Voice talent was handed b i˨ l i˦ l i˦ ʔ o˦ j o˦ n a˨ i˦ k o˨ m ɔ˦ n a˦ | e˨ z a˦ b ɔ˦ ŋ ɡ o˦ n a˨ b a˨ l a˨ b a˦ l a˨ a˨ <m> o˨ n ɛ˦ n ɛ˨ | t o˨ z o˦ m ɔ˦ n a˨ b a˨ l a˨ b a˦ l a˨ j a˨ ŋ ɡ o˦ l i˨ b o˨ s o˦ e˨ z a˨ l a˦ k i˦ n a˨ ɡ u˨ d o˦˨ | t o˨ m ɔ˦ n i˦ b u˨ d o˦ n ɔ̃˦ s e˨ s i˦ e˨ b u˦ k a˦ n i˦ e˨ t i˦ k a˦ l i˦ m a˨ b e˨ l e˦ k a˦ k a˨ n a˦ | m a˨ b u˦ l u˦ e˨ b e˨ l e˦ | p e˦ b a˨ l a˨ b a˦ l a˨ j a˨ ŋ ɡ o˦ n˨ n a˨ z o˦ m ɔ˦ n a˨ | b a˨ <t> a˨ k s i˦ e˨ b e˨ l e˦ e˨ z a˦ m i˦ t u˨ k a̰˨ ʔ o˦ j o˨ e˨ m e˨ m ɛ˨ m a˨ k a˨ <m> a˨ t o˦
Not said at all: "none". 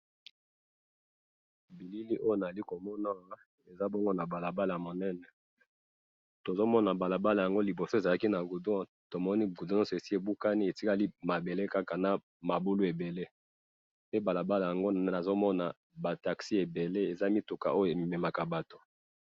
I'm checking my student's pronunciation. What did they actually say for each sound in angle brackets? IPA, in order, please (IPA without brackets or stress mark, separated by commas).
m, t, b